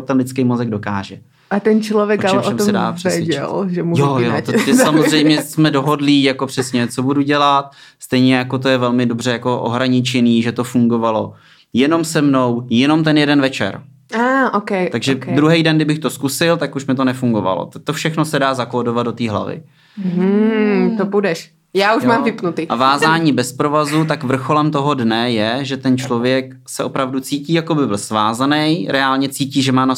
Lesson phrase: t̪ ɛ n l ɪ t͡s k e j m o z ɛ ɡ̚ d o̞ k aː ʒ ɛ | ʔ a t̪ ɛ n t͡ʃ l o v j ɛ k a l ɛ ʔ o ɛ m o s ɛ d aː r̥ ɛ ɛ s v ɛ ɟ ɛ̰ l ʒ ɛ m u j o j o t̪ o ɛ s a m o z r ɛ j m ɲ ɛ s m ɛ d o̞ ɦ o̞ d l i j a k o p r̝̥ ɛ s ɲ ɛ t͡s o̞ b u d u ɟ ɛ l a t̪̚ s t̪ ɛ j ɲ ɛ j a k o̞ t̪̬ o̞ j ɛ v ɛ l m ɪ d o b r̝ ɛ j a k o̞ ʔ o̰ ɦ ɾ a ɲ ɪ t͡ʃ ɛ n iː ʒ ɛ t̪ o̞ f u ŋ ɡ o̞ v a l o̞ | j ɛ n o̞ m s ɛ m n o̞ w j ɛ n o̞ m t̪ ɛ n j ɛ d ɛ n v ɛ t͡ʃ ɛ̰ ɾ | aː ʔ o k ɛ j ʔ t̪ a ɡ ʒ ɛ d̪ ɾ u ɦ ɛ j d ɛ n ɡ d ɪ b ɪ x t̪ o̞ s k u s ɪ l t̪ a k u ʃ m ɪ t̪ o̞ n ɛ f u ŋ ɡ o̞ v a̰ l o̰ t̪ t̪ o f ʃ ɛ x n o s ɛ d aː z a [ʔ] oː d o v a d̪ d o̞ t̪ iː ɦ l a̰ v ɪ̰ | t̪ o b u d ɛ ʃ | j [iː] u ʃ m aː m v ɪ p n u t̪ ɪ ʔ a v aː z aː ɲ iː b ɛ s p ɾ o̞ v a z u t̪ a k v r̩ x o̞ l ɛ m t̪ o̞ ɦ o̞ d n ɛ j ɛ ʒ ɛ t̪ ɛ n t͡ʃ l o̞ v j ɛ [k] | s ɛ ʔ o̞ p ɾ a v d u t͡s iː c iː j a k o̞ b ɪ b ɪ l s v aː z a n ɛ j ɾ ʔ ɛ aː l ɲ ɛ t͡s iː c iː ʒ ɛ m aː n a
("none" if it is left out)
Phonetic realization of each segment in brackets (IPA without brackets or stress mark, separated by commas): k, aː, k